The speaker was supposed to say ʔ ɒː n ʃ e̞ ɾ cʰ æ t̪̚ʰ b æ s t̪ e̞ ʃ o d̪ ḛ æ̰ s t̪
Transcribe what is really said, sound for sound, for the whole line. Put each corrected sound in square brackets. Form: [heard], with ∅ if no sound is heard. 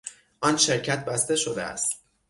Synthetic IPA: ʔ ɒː n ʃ e̞ ɾ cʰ æ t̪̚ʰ b æ s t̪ e̞ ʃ o d̪ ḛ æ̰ s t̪